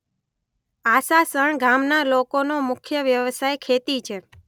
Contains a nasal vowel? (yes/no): no